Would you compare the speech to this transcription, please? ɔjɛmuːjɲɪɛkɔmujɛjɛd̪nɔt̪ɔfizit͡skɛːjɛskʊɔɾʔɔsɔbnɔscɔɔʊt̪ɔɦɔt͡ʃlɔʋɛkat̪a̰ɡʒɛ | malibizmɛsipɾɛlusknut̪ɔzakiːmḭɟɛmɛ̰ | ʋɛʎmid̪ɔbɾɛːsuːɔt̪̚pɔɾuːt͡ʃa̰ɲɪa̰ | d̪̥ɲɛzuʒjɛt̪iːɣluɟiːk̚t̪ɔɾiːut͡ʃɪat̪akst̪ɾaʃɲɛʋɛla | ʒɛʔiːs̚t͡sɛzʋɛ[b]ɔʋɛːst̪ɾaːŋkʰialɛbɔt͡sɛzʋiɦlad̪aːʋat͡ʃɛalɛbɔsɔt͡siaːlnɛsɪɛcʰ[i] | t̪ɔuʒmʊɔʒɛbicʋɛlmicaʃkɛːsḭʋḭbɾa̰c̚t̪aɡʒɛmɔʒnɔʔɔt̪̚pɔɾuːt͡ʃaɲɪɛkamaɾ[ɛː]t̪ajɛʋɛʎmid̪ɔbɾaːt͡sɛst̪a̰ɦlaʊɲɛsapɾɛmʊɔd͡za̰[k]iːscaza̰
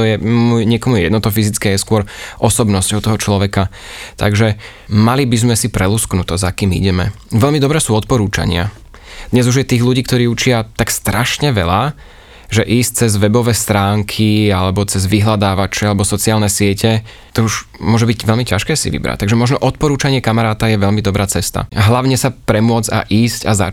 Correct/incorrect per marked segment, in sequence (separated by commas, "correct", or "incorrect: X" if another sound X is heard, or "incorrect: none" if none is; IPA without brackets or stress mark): correct, incorrect: ɛ, incorrect: aː, incorrect: ʔ